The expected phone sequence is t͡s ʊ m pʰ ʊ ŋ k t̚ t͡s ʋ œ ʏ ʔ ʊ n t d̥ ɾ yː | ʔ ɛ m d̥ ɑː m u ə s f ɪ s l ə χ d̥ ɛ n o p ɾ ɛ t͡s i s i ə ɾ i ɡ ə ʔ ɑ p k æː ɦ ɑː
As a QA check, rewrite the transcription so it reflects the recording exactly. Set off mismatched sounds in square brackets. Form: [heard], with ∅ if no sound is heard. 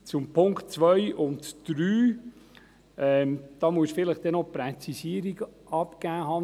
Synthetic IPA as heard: t͡s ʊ m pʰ ʊ ŋ k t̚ t͡s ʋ œ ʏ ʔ ʊ n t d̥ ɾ yː | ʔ ɛ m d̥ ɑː m u ə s f ɪ [∅] l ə χ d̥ ɛ n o p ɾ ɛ t͡s i s i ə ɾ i ɡ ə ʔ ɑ p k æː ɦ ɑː

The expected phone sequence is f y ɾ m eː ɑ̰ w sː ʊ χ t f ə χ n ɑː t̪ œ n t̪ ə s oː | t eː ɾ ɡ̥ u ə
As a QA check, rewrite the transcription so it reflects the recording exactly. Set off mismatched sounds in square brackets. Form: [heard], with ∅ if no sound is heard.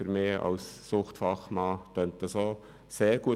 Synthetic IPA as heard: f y ɾ m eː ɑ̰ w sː ʊ χ t f [ɑ] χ [m] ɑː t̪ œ n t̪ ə s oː | [s] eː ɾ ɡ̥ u ə

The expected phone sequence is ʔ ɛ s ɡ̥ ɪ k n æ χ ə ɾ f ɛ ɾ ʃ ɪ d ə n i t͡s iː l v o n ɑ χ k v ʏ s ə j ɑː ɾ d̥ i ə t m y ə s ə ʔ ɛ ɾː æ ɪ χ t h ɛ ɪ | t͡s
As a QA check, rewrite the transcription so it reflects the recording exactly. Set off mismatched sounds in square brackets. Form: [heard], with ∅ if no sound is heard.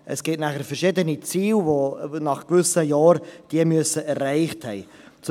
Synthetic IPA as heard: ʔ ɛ s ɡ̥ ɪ [t] n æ χ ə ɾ f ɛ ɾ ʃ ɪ d ə n i t͡s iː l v o n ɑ χ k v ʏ s ə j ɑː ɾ d̥ i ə [∅] m y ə s ə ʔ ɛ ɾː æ ɪ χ t h ɛ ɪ | t͡s

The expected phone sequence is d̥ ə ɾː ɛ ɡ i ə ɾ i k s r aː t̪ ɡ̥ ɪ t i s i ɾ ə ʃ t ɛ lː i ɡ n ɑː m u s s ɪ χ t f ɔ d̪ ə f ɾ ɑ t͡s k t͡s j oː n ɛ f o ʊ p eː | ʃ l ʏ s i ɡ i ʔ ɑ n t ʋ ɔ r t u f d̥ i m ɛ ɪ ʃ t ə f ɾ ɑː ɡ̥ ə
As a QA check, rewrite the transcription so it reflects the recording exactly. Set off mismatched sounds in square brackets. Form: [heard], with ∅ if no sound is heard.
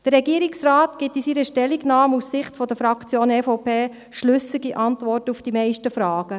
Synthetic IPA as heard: d̥ ə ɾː ɛ ɡ i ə ɾ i k s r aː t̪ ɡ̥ ɪ t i s i ɾ ə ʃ t ɛ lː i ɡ n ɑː m u s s ɪ χ t f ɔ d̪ ə f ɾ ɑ [∅] k t͡s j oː n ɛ f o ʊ p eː | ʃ l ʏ s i ɡ i ʔ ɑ n t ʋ ɔ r t u f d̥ i m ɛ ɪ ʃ t ə f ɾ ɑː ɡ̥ ə

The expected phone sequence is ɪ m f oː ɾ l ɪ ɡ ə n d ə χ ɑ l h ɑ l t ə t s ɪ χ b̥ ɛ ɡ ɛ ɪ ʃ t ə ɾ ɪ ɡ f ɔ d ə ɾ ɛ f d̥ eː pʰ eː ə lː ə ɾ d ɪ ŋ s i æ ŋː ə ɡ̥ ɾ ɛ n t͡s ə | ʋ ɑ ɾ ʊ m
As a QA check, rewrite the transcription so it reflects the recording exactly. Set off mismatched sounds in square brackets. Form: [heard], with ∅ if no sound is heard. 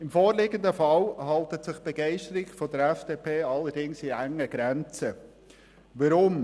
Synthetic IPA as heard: ɪ m f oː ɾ l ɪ ɡ ə n d ə [f] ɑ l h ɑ l t ə t s ɪ χ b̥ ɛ ɡ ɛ ɪ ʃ t ə ɾ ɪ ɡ f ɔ d ə ɾ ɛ f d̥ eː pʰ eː [ɑ] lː ə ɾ d ɪ ŋ s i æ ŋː ə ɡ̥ ɾ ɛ n t͡s ə | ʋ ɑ ɾ ʊ m

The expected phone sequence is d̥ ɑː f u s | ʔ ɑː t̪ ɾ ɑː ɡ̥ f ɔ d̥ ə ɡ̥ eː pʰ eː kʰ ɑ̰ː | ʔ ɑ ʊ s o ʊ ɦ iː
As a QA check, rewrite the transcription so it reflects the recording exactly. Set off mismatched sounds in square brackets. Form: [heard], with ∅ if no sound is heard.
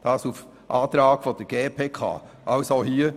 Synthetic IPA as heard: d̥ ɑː [s] u [f] | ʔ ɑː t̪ ɾ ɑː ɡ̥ f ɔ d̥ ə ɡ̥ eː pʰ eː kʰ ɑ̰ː | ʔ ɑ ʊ s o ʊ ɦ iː

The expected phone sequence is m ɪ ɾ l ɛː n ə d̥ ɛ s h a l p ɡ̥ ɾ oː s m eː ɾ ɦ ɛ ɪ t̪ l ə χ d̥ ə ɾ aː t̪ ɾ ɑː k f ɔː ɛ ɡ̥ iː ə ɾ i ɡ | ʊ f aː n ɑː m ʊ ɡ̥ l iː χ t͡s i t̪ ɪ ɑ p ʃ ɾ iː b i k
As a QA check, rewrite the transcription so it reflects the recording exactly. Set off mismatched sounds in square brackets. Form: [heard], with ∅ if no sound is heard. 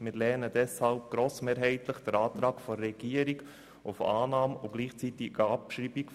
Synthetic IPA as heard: m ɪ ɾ l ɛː n ə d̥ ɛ s h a l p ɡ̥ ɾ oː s m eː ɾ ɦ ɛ ɪ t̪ l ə χ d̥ ə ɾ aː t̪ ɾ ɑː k f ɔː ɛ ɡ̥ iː ə ɾ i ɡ | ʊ f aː n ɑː m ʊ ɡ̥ l iː χ t͡s i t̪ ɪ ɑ p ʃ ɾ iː b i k

